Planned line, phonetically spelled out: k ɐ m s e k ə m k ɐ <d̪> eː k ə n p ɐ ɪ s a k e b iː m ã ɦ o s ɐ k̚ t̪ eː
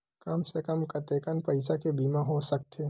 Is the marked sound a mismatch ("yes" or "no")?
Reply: yes